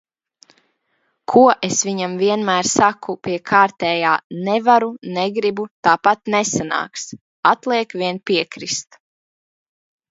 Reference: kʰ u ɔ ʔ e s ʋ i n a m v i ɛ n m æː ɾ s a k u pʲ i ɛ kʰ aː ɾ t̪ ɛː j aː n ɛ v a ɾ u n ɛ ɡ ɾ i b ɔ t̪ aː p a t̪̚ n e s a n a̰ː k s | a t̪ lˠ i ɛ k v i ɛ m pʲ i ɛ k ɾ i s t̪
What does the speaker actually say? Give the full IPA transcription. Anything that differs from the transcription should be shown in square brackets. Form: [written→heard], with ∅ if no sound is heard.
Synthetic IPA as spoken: kʰ u ɔ ʔ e s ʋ i [n→ɲ] a m v i ɛ n m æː ɾ s a k u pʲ i ɛ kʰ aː ɾ t̪ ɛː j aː n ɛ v a ɾ u n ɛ ɡ ɾ i b [ɔ→u] t̪ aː p a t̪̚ n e s a n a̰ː k s | a t̪ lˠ i ɛ k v i ɛ [m→n] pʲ i ɛ k ɾ i s t̪